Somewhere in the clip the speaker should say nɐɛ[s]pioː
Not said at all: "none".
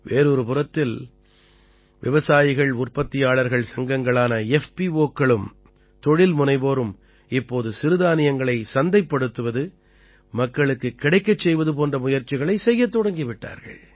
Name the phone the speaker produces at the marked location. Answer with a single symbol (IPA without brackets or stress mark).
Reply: f